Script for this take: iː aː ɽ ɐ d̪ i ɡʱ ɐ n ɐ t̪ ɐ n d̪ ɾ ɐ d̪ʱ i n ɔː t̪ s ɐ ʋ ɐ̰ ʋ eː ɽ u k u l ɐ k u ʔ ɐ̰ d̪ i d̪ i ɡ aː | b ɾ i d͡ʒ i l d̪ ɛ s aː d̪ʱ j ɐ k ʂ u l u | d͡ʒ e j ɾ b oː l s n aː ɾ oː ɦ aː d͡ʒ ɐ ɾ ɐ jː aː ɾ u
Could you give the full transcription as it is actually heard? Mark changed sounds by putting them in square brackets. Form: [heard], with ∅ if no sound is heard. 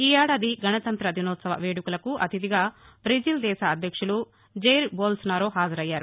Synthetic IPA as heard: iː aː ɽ ɐ d̪ i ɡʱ ɐ n ɐ t̪ ɐ n [t̪] ɾ ɐ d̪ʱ i n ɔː t̪ s ɐ ʋ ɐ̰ ʋ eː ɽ u k u l ɐ k u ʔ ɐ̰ [t̪] i d̪ i ɡ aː | b ɾ i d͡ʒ i l d̪ [ɛː] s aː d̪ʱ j ɐ k ʂ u l u | d͡ʒ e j ɾ b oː l s n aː ɾ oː ɦ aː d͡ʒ ɐ ɾ ɐ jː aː ɾ u